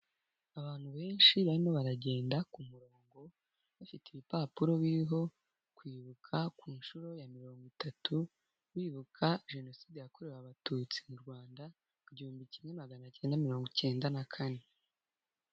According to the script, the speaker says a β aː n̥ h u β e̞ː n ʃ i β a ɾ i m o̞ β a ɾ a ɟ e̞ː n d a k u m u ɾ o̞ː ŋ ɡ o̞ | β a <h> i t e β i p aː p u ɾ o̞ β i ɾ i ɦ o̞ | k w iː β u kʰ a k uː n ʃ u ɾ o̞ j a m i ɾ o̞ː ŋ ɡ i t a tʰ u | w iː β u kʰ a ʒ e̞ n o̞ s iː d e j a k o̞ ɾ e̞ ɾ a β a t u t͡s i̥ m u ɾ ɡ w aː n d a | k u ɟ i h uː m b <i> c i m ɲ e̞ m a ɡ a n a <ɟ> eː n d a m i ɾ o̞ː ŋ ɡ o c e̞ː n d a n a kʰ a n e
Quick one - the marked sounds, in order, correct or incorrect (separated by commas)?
incorrect, correct, incorrect